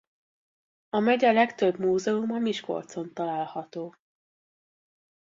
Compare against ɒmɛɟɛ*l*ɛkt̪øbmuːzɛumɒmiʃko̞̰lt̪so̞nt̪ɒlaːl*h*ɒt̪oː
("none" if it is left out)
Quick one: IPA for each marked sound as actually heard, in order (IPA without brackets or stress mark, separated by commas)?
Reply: l, h